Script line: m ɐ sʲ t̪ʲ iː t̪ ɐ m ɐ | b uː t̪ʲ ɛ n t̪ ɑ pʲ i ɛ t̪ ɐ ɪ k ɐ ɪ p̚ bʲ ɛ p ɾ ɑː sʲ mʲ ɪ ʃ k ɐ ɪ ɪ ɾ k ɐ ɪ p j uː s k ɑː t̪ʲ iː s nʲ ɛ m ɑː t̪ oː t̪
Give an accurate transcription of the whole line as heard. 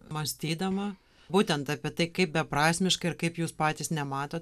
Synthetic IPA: m ɐ sʲ t̪ʲ iː d̪ ɐ m ɐ | b uː t̪ʲ ɛ n t̪ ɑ pʲ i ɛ t̪ ɐ ɪ k ɐ ɪ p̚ bʲ ɛ p ɾ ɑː sʲ mʲ ɪ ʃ k ɐ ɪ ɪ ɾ k ɐ ɪ p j uː s p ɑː t̪ʲ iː s nʲ ɛ m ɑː t̪ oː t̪

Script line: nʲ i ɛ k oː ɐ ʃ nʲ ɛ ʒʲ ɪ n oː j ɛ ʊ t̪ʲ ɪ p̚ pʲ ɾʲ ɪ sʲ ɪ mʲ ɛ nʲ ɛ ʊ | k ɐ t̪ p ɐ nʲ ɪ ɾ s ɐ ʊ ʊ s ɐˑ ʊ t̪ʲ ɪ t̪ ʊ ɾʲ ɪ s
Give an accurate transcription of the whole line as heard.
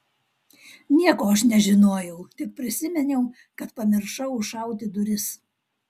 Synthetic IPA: nʲ i ɛ k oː ɐ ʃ nʲ ɛ ʒʲ ɪ n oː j ɛ ʊ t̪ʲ ɪ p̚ pʲ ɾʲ ɪ sʲ ɪ mʲ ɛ nʲ ɛ ʊ | k ɐ t̪ p ɐ mʲ ɪ ɾ ʃ ɐ ʊ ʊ ʃ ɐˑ ʊ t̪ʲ ɪ d̪ ʊ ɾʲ ɪ s

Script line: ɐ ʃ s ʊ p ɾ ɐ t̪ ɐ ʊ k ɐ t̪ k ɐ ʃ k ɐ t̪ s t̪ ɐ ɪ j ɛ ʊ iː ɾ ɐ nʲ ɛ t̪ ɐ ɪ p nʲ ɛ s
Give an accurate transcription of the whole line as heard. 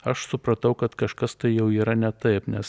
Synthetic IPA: ɐ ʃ s ʊ p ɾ ɐ t̪ ɐ ʊ k ɐ t̪ k ɐ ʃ k ɐ s t̪ ɐ ɪ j ɛ ʊ iː ɾ ɐ nʲ ɛ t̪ ɐ ɪ p nʲ ɛ s

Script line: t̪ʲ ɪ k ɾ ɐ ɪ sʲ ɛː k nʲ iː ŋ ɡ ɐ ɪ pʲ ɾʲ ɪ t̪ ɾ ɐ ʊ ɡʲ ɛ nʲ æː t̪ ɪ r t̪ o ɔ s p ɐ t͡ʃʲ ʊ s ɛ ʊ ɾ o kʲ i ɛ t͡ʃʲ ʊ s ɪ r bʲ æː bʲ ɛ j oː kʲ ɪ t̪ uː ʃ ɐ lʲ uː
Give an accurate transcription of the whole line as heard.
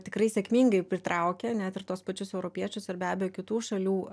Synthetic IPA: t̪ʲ ɪ k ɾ ɐ ɪ sʲ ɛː k mʲ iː ŋ ɡ ɐ ɪ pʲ ɾʲ ɪ t̪ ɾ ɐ ʊ kʲ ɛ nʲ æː t̪ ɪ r t̪ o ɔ s p ɐ t͡ʃʲ ʊ s ɛ ʊ ɾ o pʲ i ɛ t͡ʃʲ ʊ s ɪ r bʲ æː bʲ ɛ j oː kʲ ɪ t̪ uː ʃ ɐ lʲ uː

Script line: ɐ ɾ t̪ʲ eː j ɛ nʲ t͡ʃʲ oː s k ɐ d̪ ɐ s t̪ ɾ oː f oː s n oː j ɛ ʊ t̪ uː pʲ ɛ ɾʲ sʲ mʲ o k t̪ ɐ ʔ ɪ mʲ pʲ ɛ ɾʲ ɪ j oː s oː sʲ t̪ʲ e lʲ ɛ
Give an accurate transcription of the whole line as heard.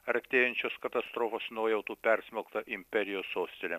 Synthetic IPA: ɐ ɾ t̪ʲ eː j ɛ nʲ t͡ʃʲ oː s k ɐ t̪ ɐ s t̪ ɾ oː f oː s n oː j ɛ ʊ t̪ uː pʲ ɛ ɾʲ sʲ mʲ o k t̪ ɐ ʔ ɪ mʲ pʲ ɛ ɾʲ ɪ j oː s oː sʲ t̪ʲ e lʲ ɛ

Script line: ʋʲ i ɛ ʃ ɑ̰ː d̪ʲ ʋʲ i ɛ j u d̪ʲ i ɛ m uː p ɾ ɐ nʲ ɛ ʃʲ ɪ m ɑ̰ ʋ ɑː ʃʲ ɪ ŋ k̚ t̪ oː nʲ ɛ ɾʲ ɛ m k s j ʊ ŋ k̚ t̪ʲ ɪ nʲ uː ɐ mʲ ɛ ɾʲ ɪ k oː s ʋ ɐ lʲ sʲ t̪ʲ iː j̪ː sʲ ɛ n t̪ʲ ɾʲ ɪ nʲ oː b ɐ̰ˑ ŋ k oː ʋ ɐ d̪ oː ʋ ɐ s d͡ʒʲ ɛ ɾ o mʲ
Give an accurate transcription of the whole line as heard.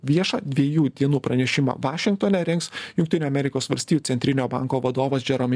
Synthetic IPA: ʋʲ i ɛ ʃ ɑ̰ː d̪ʲ ʋʲ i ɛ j uː d̪ʲ i ɛ n uː p ɾ ɐ nʲ ɛ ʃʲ ɪ m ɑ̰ ʋ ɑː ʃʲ ɪ ŋ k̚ t̪ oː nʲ ɛ ɾʲ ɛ ŋ k s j ʊ ŋ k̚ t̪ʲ ɪ nʲ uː ɐ mʲ ɛ ɾʲ ɪ k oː s ʋ ɐ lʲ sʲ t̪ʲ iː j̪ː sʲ ɛ n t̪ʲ ɾʲ ɪ nʲ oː b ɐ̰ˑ ŋ k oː ʋ ɐ d̪ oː ʋ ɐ s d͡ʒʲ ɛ ɾ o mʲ

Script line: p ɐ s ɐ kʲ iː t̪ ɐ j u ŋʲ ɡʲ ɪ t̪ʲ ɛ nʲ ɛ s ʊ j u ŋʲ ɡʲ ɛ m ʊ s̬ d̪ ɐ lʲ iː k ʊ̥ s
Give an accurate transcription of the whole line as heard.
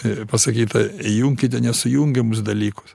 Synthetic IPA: p ɐ s ɐ kʲ iː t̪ ɐ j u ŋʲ kʲ ɪ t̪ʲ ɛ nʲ ɛ s ʊ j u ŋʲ ɡʲ ɛ m ʊ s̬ d̪ ɐ lʲ iː k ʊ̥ s

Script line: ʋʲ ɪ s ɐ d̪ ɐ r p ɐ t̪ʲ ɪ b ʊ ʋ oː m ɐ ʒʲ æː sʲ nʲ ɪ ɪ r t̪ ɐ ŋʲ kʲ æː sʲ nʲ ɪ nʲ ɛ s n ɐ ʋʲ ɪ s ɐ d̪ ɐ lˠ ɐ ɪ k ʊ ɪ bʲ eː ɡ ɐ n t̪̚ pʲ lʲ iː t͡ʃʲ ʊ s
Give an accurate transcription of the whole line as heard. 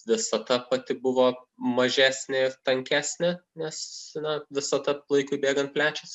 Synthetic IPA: ʋʲ ɪ s ɐ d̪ ɐ p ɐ t̪ʲ ɪ b ʊ ʋ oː m ɐ ʒʲ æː sʲ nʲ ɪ ɪ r t̪ ɐ ŋʲ kʲ æː sʲ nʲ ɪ nʲ ɛ s n ɐ ʋʲ ɪ s ɐ d̪ ɐ lˠ ɐ ɪ k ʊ ɪ bʲ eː ɡ ɐ n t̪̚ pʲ lʲ æː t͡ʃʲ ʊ s

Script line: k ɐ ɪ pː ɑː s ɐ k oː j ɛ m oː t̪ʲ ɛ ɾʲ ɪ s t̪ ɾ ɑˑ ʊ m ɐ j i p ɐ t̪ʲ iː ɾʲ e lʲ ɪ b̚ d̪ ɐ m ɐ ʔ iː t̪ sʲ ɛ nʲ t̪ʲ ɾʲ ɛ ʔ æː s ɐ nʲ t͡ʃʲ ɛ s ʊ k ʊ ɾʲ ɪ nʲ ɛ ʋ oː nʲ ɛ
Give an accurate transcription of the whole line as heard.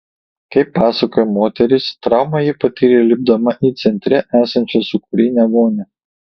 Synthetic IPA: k ɐ ɪ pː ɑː s ɐ k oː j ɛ m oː t̪ʲ ɛ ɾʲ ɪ s t̪ ɾ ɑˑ ʊ m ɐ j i p ɐ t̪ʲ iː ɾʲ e lʲ ɪ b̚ d̪ ɐ m ɐ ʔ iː t̪ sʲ ɛ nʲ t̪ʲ ɾʲ ɛ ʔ æː s ɐ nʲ t͡ʃʲ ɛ s ʊ k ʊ ɾʲ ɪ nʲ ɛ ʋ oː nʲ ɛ

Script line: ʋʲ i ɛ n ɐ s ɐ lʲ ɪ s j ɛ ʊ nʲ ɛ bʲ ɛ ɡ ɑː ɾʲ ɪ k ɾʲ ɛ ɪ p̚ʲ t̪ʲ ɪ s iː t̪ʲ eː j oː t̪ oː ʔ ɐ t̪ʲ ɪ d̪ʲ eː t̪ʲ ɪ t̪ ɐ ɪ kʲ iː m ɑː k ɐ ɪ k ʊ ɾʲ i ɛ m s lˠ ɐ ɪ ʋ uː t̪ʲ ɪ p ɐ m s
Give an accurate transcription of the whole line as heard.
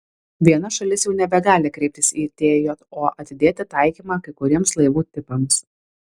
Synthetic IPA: ʋʲ i ɛ n ɐ ʃ ɐ lʲ ɪ s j ɛ ʊ nʲ ɛ bʲ ɛ ɡ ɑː lʲ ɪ k ɾʲ ɛ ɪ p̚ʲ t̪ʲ ɪ s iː t̪ʲ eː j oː t̪ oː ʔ ɐ t̪ʲ ɪ d̪ʲ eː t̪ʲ ɪ t̪ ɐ ɪ kʲ iː m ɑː k ɐ ɪ k ʊ ɾʲ i ɛ m s lˠ ɐ ɪ ʋ uː t̪ʲ ɪ p ɐ m s

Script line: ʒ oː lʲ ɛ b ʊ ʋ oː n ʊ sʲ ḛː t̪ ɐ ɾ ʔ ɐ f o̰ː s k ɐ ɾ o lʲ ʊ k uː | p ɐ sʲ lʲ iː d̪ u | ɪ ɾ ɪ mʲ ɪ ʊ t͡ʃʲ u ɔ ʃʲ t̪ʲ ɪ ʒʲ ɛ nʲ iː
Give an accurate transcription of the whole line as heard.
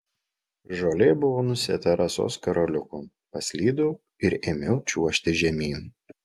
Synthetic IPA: ʒ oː lʲ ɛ b ʊ ʋ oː n ʊ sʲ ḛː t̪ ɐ ɾ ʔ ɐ s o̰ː s k ɐ ɾ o lʲ ʊ k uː | p ɐ sʲ lʲ iː d̪ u | ɪ ɾ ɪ mʲ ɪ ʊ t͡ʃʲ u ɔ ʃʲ t̪ʲ ɪ ʒʲ ɛ mʲ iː

